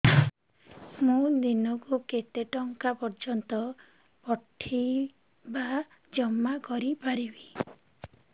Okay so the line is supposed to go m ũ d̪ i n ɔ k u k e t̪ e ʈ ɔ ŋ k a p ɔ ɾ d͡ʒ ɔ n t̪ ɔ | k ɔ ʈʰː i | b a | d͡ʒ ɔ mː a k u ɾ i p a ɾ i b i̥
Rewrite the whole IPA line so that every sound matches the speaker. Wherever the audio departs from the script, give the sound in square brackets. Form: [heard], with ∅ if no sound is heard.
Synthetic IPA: m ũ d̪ i n ɔ k u k e t̪ e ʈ ɔ ŋ k a p ɔ ɾ d͡ʒ ɔ n t̪ ɔ | [p] ɔ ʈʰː i | b a | d͡ʒ ɔ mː a k [ɔ] ɾ i p a ɾ i b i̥